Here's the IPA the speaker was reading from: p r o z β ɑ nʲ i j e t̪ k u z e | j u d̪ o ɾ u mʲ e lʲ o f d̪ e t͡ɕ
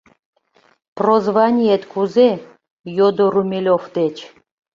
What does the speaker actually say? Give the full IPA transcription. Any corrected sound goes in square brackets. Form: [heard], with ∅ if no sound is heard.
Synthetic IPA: p r o z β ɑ nʲ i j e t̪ k u z e | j [o] d̪ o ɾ u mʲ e lʲ o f d̪ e t͡ɕ